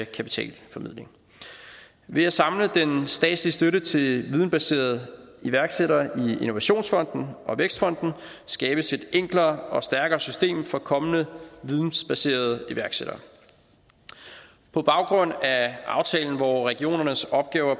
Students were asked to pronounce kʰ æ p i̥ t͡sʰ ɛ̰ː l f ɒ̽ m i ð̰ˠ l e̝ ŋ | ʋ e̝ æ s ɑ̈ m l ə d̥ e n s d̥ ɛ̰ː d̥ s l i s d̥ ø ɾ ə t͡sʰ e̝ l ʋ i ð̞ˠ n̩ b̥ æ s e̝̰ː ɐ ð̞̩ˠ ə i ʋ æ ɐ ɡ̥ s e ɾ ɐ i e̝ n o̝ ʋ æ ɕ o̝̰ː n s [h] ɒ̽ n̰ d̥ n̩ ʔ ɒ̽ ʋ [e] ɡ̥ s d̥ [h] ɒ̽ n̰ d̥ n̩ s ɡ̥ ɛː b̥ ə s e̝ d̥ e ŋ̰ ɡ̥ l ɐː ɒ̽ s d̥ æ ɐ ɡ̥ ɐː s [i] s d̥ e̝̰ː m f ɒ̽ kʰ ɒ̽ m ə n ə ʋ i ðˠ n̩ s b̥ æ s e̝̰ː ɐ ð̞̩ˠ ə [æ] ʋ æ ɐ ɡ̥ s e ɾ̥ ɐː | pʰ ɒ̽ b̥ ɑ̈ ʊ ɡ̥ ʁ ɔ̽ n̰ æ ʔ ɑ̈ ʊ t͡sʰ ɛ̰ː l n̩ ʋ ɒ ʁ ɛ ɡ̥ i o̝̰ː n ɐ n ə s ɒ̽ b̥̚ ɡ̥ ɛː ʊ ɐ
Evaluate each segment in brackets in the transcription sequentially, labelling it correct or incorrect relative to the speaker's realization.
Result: incorrect, correct, incorrect, incorrect, incorrect

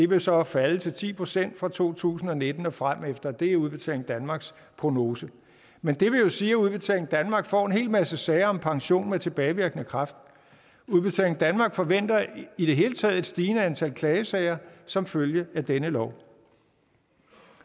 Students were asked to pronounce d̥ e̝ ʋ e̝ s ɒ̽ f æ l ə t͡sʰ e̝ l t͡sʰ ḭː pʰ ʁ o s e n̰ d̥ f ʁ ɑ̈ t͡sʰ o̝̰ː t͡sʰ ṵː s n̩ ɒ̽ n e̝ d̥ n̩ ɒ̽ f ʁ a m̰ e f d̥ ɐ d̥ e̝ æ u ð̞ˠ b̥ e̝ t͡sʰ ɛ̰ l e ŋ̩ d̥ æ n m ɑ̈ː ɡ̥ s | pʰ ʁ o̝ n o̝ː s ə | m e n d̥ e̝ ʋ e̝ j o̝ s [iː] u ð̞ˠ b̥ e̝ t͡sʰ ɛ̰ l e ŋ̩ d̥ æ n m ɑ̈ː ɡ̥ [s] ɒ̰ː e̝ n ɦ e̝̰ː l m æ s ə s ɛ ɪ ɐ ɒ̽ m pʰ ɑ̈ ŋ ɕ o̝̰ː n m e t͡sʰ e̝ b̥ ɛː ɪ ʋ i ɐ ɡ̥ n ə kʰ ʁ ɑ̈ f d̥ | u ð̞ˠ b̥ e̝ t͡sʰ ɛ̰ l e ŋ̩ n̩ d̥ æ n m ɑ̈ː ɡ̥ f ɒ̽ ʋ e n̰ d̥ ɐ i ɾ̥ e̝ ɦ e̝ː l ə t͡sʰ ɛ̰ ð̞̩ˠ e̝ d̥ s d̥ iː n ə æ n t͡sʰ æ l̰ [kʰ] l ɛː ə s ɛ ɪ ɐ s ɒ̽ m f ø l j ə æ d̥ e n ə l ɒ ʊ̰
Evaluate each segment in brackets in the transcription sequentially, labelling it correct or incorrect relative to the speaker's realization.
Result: correct, incorrect, correct

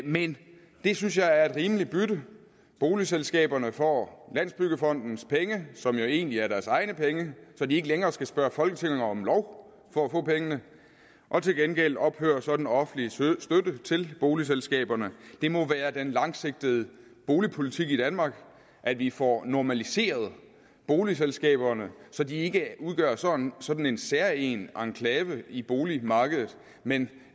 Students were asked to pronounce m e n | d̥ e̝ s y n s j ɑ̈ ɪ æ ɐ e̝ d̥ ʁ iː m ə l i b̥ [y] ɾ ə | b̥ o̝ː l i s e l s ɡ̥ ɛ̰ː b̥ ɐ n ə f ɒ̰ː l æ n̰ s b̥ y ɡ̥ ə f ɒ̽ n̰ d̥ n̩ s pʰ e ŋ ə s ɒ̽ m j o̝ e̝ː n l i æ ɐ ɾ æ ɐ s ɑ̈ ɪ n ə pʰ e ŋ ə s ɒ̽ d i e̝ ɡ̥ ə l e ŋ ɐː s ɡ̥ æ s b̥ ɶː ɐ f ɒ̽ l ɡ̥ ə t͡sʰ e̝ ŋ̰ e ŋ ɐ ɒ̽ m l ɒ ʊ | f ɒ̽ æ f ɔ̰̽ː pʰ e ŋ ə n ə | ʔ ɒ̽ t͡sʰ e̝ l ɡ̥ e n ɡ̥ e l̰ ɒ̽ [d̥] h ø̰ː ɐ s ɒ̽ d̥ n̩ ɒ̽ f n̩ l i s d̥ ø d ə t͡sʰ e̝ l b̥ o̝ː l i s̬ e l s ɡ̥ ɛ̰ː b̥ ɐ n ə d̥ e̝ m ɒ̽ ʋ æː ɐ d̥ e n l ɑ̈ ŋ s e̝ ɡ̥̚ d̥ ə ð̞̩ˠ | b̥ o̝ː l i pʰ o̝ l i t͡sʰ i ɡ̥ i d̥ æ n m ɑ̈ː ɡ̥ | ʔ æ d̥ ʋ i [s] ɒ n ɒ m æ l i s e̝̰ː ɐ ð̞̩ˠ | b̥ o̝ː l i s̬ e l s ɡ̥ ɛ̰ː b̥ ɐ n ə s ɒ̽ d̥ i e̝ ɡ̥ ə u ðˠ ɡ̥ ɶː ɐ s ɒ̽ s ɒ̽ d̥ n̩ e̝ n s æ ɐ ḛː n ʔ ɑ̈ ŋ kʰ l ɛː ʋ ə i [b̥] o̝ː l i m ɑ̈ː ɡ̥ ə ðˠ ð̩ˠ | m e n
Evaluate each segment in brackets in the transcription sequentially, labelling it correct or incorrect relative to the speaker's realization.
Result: correct, incorrect, incorrect, correct

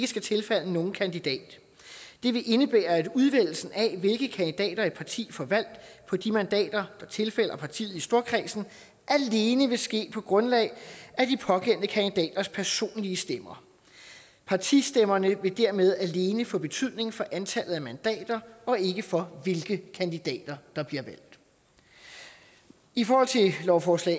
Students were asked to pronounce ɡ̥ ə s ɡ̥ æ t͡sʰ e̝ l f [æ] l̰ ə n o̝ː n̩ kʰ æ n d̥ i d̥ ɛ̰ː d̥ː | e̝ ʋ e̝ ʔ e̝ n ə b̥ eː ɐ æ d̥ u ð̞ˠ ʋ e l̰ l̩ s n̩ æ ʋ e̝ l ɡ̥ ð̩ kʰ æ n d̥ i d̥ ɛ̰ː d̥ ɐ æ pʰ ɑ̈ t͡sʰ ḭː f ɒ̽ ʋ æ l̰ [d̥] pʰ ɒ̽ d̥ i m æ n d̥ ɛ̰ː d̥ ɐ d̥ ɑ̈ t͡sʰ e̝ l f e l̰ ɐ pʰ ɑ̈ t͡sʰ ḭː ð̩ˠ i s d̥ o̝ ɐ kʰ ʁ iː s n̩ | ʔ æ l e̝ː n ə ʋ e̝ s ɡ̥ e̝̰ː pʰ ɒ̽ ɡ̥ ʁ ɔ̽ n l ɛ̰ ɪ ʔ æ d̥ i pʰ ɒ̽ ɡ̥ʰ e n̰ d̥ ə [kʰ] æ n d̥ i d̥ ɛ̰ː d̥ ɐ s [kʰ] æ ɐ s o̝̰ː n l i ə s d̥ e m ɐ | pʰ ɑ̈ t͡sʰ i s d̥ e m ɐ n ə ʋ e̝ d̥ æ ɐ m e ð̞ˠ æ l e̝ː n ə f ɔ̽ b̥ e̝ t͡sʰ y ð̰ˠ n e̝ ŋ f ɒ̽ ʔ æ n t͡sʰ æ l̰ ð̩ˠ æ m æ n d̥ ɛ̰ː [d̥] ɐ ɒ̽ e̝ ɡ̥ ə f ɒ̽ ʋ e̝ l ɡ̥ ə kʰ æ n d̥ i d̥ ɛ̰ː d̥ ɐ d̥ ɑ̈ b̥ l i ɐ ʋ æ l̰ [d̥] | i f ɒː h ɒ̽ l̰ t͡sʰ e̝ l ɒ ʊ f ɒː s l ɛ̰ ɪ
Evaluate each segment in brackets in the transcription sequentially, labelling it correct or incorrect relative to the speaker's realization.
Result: correct, correct, correct, incorrect, correct, correct

